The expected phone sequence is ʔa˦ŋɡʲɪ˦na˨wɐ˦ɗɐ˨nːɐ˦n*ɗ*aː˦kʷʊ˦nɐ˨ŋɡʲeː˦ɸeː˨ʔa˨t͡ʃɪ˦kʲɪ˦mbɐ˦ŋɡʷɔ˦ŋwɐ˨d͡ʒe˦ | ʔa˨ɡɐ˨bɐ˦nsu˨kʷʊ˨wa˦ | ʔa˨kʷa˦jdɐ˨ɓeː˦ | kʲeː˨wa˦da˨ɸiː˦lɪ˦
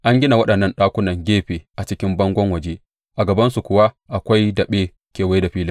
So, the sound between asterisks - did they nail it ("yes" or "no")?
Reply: yes